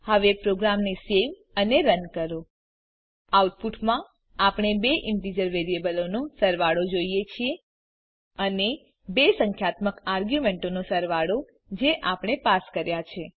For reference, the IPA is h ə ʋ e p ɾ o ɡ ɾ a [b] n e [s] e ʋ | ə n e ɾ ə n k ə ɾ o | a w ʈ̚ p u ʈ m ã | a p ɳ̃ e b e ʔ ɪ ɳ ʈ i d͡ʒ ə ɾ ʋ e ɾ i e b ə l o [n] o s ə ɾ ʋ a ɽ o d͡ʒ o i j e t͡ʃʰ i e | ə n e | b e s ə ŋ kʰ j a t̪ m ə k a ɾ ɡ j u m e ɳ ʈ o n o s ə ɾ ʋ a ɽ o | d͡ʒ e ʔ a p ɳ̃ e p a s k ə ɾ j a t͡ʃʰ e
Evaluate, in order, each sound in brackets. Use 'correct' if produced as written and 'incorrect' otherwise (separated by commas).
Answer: incorrect, correct, correct